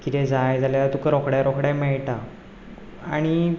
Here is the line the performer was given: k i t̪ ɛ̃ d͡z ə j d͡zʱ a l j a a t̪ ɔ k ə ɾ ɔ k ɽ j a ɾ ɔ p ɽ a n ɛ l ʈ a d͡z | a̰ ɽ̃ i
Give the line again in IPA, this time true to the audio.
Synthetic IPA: k i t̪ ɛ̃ d͡z a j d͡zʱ a l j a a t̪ u k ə ɾ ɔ k ɽ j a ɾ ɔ k ɽ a m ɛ ɭ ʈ a | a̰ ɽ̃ i